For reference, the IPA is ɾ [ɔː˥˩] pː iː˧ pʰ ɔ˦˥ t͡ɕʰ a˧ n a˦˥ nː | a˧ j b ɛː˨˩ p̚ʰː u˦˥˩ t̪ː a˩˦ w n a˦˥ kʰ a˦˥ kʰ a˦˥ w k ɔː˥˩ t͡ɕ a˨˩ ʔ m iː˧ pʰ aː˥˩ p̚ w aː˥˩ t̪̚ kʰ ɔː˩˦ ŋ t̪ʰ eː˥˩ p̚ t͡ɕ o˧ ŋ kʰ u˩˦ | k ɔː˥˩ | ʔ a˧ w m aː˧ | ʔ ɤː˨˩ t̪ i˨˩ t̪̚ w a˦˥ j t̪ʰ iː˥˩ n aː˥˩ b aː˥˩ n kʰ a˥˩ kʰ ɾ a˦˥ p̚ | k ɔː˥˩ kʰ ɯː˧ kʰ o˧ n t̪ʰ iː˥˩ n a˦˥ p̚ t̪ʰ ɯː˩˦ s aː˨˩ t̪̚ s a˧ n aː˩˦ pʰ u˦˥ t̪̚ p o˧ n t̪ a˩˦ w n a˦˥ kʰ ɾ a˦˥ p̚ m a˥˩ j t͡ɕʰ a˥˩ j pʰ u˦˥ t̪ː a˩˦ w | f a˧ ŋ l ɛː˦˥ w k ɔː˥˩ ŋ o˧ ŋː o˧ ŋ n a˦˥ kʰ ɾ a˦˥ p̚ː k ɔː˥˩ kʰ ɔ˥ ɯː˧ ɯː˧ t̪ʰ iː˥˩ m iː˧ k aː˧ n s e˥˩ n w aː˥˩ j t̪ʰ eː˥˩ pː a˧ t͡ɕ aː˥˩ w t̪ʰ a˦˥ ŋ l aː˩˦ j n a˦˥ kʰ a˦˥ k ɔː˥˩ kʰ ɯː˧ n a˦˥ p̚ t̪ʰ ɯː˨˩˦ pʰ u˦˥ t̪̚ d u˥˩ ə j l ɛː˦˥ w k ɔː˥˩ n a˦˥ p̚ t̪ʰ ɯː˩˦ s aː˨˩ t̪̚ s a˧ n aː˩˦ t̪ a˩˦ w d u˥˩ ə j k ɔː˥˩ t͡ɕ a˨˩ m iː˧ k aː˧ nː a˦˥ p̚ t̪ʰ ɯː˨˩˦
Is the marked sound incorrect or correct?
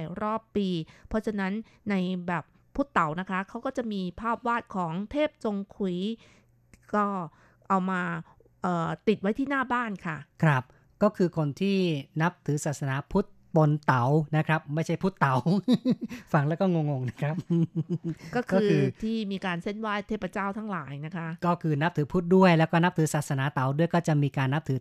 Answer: correct